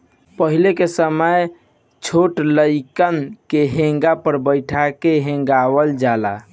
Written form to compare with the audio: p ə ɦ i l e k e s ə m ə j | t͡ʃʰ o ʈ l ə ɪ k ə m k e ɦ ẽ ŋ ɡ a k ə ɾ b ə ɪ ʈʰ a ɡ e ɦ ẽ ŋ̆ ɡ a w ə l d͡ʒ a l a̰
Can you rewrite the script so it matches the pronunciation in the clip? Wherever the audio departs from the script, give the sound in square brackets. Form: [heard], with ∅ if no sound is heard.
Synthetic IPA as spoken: p ə ɦ i l e k e s ə m ə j | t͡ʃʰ o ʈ l ə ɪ k ə [n] k e ɦ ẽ ŋ ɡ a [p] ə ɾ b ə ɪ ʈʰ a [k] e ɦ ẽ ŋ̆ ɡ a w ə l d͡ʒ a l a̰